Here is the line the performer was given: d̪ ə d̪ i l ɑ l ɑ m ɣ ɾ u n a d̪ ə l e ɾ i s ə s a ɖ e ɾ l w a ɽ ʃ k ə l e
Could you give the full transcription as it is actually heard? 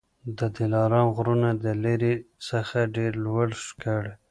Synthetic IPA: d̪ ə d̪ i l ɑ ɾ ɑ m ɣ ɾ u n a d̪ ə l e ɾ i s ə x a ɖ e ɾ l w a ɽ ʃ k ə ɽ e